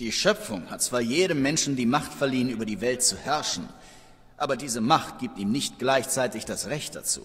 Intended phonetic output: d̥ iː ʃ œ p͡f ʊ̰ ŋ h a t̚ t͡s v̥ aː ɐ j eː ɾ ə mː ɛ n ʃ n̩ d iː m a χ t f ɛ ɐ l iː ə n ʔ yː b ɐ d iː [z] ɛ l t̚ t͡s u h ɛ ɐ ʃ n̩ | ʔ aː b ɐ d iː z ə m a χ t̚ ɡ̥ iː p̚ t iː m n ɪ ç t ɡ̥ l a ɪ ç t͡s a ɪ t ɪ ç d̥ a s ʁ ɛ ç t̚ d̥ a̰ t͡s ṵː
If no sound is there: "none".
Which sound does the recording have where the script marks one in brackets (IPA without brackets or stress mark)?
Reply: v